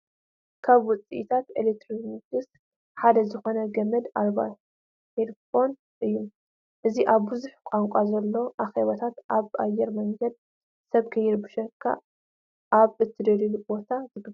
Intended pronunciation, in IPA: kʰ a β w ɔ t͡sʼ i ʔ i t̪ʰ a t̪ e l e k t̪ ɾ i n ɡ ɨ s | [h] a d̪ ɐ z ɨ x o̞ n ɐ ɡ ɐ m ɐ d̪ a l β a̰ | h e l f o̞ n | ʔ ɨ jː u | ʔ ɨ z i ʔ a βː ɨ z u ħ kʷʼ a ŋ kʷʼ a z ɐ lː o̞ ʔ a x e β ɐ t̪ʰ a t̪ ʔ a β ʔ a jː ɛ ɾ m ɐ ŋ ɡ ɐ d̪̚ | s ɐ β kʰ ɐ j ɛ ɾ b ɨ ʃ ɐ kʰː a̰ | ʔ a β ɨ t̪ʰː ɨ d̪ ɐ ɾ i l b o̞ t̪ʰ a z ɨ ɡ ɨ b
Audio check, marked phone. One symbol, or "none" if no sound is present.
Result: ħ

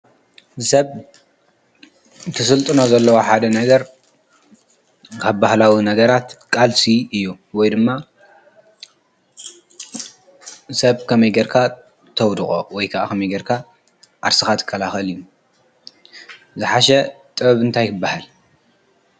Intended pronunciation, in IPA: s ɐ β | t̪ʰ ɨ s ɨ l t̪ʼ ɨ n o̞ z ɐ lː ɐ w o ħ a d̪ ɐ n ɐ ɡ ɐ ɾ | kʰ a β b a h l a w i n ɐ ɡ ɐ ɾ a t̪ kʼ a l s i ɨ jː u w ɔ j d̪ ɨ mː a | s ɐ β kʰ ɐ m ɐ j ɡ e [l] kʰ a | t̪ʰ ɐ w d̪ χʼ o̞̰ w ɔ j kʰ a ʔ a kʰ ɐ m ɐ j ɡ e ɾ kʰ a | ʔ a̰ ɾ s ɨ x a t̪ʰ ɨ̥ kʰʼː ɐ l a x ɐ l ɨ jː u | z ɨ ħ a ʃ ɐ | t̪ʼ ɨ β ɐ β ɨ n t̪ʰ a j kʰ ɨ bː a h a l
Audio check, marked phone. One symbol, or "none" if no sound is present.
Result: ɾ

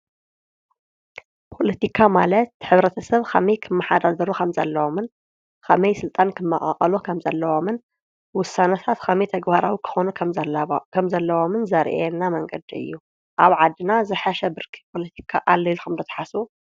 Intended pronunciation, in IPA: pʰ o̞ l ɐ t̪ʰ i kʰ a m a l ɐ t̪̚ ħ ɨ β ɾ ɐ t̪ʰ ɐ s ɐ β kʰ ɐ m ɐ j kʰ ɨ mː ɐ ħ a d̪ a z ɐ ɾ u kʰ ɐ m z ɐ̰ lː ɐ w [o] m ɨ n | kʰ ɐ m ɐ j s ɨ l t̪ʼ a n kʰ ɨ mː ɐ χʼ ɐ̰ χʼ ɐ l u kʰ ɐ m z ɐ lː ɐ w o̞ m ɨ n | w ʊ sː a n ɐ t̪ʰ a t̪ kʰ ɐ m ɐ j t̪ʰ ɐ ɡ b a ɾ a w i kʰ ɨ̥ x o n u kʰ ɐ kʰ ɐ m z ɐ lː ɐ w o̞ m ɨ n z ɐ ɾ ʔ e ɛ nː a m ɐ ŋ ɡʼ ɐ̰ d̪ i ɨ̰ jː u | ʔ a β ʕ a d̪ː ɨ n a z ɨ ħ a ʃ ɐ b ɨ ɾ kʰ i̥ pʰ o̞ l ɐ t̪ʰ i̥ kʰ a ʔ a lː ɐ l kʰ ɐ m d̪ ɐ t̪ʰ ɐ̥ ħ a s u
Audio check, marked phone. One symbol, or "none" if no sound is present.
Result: o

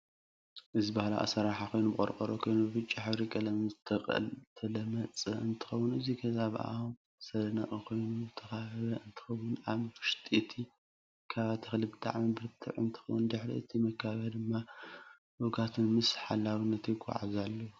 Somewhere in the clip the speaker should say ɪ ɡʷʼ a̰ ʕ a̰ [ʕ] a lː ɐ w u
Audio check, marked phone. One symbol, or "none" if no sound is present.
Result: z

